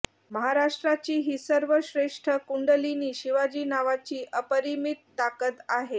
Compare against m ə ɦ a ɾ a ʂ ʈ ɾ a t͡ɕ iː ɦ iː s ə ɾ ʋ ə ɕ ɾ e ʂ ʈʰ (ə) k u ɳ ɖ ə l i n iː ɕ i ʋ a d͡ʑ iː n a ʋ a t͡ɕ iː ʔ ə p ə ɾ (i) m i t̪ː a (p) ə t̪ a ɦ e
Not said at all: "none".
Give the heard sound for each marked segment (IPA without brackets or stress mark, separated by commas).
ə, i, k